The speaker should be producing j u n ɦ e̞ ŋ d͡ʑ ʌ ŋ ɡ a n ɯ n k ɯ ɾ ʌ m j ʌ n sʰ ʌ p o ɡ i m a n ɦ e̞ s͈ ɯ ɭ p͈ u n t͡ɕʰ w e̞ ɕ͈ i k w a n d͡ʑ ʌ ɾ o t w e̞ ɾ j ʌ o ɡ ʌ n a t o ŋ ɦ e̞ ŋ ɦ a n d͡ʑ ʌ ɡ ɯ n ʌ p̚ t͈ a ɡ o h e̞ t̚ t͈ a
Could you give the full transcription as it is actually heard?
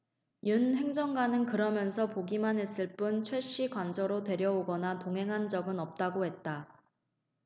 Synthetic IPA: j u n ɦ e̞ ŋ d͡ʑ ʌ ŋ ɡ a n ɯ n k ɯ ɾ ʌ m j ʌ n sʰ ʌ p o ɡ i m a n ɦ e̞ s͈ ɯ ɭ p͈ u n t͡ɕʰ w e̞ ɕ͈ i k w a n d͡ʑ ʌ ɾ o t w e̞ ɾ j ʌ o ɡ ʌ n a t o ŋ ɦ e̞ ŋ ɦ a n d͡ʑ ʌ ɡ ɯ n ʌ p̚ t͈ a ɡ o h e̞ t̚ t͈ a